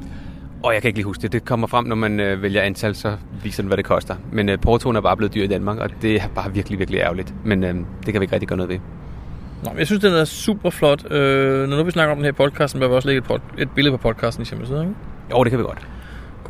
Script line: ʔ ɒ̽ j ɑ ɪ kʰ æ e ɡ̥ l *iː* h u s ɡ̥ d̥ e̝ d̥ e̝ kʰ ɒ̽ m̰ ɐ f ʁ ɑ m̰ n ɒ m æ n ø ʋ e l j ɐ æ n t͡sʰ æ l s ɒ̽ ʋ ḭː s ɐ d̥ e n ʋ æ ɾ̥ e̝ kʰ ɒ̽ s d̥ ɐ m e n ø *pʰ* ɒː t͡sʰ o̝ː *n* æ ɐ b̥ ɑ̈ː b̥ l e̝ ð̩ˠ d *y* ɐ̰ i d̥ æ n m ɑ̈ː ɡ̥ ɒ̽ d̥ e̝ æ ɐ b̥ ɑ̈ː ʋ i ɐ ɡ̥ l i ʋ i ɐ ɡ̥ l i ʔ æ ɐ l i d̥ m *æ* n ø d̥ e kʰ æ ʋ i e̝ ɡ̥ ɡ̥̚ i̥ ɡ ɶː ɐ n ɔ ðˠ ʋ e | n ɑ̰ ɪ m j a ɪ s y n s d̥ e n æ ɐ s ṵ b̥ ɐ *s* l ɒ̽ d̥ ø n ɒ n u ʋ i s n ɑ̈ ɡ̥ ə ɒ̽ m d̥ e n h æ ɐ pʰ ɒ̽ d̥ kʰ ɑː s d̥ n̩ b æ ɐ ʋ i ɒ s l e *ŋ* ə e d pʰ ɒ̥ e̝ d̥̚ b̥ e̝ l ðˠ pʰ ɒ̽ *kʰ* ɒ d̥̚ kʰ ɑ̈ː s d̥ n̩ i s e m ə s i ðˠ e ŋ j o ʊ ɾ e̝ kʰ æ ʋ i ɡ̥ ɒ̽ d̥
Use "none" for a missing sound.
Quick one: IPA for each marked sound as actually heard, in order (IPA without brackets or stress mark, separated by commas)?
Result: iː, pʰ, n, y, e, f, ɡ, pʰ